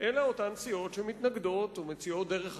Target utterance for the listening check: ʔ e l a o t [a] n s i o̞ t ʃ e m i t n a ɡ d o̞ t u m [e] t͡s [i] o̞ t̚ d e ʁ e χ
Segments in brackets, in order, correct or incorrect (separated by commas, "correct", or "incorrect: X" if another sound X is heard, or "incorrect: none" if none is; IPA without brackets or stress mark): correct, correct, correct